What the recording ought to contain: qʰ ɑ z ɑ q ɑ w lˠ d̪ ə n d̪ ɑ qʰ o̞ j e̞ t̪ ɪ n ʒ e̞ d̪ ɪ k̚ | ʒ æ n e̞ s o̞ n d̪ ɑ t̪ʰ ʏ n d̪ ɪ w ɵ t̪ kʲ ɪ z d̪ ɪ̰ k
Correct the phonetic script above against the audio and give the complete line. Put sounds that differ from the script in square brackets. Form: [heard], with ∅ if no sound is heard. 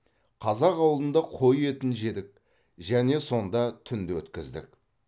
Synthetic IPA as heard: qʰ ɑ z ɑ q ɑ w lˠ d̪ ə n d̪ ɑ qʰ o̞ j e̞ t̪ ɪ n ʒ e̞ d̪ ɪ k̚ | ʒ æ n e̞ s o̞ n d̪ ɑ t̪ʰ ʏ n d̪ ɪ w ɵ t̪ kʲ ɪ z d̪ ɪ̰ k